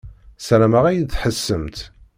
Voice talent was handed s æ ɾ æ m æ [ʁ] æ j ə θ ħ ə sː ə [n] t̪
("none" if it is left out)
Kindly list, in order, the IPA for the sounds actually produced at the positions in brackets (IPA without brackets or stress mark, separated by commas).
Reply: ʁ, m